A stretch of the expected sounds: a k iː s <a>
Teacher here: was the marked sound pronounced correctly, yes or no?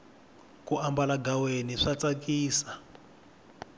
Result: yes